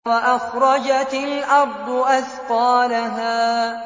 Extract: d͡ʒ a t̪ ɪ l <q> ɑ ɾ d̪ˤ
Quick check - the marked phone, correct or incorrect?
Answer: incorrect